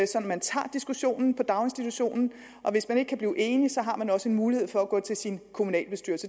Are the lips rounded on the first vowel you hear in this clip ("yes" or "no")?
yes